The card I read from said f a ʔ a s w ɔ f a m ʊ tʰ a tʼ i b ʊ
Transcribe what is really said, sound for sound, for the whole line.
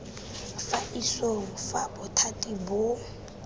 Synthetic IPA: f a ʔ i s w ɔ f a b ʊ tʰ a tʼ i b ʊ